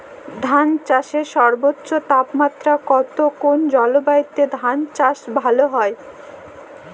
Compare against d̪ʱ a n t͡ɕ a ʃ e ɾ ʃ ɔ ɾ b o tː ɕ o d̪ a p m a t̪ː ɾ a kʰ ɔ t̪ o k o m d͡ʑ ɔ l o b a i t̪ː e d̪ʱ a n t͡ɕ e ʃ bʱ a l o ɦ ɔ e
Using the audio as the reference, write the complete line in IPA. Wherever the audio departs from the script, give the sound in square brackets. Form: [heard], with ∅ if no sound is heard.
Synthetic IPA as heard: d̪ʱ a n t͡ɕ a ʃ e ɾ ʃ ɔ ɾ b o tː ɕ o [t̪] a p m a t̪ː ɾ a [k] ɔ t̪ o k o [n] d͡ʑ ɔ l o b a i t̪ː e d̪ʱ a n t͡ɕ [a] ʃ bʱ a l o ɦ ɔ e